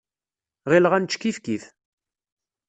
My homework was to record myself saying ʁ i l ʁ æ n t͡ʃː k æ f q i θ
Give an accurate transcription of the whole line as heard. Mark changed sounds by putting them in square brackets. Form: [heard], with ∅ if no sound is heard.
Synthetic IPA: ʁ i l ʁ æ n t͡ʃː k [i] f [k] i θ